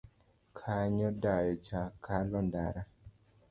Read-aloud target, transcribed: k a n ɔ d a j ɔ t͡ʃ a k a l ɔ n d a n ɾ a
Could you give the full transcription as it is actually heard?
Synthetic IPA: kʰ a ɲ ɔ d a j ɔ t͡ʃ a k a l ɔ n d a ɾ a